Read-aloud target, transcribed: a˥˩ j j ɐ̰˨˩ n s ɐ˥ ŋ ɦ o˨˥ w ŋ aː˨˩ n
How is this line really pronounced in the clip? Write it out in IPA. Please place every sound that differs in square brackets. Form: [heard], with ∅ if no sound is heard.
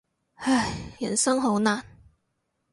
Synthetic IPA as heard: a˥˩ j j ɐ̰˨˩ n s ɐ˥ ŋ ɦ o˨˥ w [n] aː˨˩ n